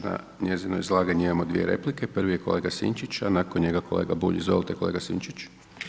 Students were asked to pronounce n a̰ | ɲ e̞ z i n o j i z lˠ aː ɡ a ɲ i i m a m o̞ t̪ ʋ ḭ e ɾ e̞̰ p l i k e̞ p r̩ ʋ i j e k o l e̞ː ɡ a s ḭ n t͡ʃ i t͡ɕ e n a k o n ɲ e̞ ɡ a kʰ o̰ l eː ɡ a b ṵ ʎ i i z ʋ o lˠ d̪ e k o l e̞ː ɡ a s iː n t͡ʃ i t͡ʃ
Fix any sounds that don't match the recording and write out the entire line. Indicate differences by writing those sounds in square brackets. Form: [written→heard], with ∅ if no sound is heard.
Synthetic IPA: n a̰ | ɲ e̞ z i n o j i z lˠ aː ɡ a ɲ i i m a m o̞ [t̪→d̪] ʋ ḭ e ɾ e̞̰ p l i k e̞ p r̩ ʋ i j e k o l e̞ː ɡ a s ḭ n t͡ʃ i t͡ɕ [e→a] n a k o n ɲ e̞ ɡ a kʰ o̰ l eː ɡ a b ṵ ʎ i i z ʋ o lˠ [d̪→t̪] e k o l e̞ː ɡ a s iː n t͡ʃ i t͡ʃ